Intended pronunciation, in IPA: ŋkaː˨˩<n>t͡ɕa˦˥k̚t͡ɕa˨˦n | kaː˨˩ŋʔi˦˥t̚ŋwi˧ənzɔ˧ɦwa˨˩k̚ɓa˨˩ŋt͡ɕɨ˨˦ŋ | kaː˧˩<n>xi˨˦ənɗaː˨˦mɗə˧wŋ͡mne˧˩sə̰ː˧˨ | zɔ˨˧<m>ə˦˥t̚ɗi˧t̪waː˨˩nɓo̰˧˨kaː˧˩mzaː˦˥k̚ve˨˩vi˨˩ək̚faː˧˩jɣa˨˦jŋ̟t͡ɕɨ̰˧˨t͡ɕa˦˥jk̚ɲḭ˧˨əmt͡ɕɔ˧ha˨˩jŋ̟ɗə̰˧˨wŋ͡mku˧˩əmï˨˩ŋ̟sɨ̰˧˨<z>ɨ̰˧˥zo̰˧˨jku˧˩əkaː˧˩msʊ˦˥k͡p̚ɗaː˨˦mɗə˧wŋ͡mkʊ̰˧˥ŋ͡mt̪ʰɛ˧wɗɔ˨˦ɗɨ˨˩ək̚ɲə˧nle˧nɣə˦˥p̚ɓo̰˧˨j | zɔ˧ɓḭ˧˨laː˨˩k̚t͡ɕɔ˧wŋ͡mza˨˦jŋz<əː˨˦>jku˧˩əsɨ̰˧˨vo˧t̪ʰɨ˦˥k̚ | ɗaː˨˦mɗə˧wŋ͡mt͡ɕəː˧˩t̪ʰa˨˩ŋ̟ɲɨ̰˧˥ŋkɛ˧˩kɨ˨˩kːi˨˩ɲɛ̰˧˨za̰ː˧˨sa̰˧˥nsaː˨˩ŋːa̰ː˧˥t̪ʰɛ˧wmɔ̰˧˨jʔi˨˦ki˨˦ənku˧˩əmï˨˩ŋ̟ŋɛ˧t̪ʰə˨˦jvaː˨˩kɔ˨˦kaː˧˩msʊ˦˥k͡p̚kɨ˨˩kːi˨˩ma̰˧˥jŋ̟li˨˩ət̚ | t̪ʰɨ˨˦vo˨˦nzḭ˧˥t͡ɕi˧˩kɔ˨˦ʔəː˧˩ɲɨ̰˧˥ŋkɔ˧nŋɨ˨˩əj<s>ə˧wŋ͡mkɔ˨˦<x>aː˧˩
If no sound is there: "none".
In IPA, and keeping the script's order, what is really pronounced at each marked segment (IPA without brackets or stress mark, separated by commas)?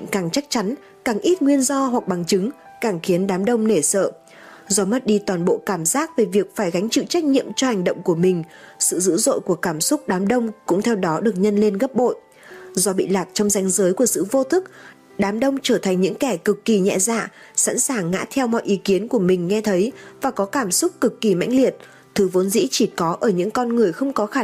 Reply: ŋ, ŋ, m, z, əː˨˦, x, x